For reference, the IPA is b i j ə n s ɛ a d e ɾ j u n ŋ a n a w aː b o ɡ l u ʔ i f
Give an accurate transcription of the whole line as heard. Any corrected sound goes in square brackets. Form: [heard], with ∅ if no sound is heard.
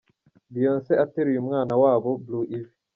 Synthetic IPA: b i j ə n s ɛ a [t] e ɾ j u [m] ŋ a n a w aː b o [b] l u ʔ i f